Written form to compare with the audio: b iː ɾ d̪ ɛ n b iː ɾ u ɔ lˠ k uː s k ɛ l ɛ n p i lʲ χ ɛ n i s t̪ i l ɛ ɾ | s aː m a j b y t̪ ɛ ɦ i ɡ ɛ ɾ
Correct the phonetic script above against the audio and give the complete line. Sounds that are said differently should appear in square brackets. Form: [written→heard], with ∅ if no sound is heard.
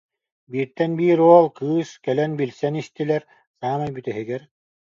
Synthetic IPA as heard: b iː ɾ [d̪→t̪] ɛ n b iː ɾ u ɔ lˠ k [uː→ɯː] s k ɛ l ɛ n [p→b] i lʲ [χ→s] ɛ n i s t̪ i l ɛ ɾ | s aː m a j b y t̪ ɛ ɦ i ɡ ɛ ɾ